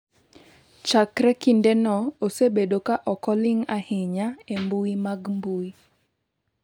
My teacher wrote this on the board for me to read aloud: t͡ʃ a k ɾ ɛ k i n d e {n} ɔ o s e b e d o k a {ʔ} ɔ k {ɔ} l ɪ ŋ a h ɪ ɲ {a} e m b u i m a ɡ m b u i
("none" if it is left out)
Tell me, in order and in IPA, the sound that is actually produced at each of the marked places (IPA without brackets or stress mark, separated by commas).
n, ʔ, ɔ, a